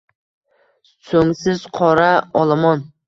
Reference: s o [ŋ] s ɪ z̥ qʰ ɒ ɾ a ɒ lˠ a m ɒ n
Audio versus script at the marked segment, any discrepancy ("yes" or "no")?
no